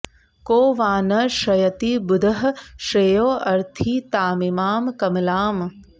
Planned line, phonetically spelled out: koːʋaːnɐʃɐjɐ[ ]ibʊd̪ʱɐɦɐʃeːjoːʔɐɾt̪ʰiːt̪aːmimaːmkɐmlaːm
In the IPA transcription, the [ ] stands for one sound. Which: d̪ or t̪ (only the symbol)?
t̪